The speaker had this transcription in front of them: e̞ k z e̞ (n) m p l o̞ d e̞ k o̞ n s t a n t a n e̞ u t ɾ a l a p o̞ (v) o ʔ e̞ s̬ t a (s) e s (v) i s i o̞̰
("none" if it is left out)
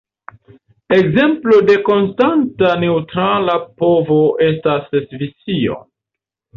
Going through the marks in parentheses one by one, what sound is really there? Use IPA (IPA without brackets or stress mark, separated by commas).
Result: none, v, s, v